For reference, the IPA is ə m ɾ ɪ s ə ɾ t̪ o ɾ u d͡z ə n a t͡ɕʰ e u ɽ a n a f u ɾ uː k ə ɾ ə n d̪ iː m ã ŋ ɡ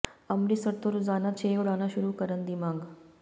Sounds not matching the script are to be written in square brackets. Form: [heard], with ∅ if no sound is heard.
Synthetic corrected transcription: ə m ɾ [i] s ə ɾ t̪ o ɾ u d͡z [a] n a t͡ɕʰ e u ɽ a n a [ɕ] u ɾ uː k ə ɾ ə n d̪ [i] m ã ŋ ɡ